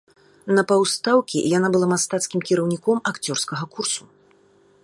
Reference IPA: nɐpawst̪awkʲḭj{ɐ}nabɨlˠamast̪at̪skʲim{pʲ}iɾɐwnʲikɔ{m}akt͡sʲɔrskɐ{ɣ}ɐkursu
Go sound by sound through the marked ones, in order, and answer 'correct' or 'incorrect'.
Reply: incorrect: a, incorrect: kʲ, correct, correct

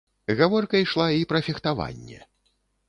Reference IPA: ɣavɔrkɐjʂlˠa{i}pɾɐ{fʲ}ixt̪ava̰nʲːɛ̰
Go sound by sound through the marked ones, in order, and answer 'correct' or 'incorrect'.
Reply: correct, correct

